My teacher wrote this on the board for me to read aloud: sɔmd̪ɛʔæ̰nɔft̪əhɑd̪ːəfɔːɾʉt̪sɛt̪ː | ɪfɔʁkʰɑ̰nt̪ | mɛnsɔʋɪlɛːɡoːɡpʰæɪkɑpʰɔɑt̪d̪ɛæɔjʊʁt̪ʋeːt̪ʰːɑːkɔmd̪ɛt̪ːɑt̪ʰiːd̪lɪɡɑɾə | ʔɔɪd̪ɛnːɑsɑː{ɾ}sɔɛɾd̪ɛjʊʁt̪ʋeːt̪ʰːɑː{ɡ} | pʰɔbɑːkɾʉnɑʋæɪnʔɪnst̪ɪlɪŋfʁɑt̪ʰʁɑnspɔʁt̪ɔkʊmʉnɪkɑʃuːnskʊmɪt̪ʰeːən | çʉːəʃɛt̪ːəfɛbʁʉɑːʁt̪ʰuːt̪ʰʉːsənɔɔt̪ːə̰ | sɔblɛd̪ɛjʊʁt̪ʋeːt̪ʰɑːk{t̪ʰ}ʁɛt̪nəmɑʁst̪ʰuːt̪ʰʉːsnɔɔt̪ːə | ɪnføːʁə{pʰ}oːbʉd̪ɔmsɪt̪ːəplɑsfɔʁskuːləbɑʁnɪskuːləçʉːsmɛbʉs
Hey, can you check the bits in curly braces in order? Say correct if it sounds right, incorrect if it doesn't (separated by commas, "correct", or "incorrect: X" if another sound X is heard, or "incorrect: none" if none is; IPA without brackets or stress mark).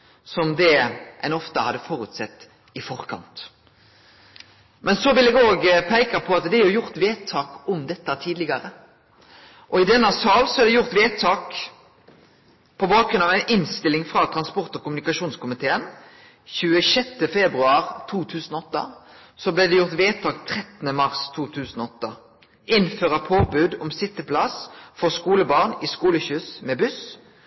incorrect: l, incorrect: k, correct, correct